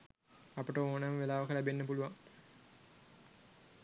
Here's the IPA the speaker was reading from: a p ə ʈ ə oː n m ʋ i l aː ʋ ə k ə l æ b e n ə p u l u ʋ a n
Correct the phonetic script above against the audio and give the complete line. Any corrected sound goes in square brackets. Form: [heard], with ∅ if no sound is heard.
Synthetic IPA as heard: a p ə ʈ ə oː n m ʋ [e] l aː ʋ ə k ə l æ b e [nː] ə p u l u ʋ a [ŋ]